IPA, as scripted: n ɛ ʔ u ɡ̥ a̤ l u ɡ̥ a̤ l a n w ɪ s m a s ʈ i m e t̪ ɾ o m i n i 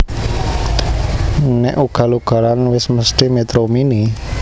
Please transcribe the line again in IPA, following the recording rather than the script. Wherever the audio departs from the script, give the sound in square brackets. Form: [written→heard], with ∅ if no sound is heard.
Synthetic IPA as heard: n ɛ ʔ u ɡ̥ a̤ l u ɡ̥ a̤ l a n w ɪ s m [a→ə] s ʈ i m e t̪ ɾ o m i n i